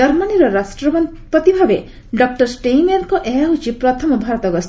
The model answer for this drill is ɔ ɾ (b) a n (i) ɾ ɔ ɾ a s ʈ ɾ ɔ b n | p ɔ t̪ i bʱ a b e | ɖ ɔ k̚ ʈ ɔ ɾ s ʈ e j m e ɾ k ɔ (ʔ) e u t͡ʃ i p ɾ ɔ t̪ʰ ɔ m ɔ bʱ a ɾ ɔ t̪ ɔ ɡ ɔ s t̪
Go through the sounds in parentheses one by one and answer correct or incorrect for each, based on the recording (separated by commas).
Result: incorrect, correct, correct